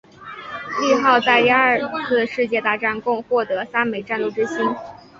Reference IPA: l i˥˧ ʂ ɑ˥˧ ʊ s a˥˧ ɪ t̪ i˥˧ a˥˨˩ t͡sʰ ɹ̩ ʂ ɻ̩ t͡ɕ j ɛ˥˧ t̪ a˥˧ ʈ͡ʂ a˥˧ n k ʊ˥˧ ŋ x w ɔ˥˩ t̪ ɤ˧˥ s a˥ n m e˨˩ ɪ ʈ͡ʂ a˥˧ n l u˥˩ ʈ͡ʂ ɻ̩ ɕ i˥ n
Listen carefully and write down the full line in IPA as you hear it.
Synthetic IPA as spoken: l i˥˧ x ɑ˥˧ ʊ t͡s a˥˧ ɪ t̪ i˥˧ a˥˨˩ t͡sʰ ɹ̩ ʂ ɻ̩ t͡ɕ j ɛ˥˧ t̪ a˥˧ ʈ͡ʂ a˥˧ n k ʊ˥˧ ŋ x w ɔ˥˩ t̪ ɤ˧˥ s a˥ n m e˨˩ ɪ ʈ͡ʂ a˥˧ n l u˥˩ ʈ͡ʂ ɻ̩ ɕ i˥ n